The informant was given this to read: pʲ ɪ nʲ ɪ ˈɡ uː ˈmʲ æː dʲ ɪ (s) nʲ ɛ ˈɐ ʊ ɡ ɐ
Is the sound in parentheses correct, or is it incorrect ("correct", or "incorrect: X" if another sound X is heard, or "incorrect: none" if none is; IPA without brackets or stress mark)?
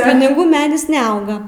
correct